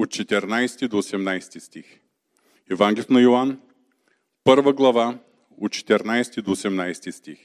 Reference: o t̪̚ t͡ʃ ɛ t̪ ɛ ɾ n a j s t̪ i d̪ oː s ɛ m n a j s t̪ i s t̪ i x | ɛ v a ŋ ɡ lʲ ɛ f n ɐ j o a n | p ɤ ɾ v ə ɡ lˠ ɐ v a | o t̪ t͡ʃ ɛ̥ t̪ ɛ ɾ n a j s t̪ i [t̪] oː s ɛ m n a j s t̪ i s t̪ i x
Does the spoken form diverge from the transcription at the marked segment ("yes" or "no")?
yes